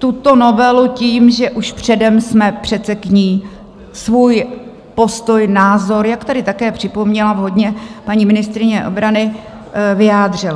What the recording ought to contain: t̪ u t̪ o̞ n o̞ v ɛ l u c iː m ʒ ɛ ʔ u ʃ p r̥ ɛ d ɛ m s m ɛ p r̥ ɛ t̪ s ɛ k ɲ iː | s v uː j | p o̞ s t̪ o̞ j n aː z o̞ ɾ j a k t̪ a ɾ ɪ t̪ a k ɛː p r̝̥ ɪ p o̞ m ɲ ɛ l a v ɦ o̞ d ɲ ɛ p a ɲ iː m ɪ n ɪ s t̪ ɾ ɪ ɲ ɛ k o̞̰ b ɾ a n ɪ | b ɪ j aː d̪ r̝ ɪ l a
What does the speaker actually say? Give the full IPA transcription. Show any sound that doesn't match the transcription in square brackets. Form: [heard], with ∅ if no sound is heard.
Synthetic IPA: t̪ u t̪ o̞ n o̞ v ɛ l u c iː m ʒ ɛ ʔ u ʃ p r̥ ɛ d ɛ m s m ɛ p r̥ ɛ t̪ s ɛ k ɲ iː | s v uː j | p o̞ s t̪ o̞ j n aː z o̞ ɾ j a k t̪ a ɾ ɪ t̪ a k ɛː p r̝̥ ɪ p o̞ m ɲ ɛ l a v ɦ o̞ d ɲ ɛ p a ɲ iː m ɪ n ɪ s t̪ ɾ ɪ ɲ ɛ [ʔ] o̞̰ b ɾ a n ɪ | [v] ɪ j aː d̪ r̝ ɪ l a